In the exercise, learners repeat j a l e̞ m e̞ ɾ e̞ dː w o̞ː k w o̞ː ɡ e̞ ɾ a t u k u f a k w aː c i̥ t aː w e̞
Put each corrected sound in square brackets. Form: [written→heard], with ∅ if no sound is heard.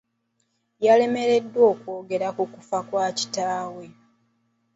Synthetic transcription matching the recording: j a l e̞ m e̞ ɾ e̞ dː w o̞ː k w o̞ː ɡ e̞ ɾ a [t→k] u k u f a k w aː c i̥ t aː w e̞